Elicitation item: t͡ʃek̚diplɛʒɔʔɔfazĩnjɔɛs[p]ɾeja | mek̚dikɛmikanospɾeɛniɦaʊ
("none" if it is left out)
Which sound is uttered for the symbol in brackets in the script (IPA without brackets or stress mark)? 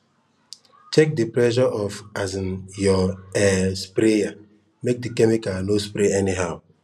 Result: p